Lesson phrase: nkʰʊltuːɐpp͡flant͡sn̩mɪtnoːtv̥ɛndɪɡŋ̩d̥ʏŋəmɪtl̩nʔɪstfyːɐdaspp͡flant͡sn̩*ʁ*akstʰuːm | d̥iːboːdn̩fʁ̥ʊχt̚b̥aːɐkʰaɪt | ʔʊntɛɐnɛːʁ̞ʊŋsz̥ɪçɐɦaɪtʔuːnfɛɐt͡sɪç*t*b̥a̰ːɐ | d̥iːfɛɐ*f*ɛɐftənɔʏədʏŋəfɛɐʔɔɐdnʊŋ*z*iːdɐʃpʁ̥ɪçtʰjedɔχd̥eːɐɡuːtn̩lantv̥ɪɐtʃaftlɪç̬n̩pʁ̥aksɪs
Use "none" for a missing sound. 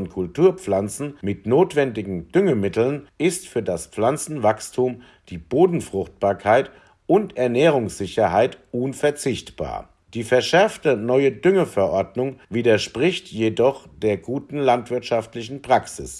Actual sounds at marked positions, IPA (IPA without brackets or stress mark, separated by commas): v, t, ʃ, v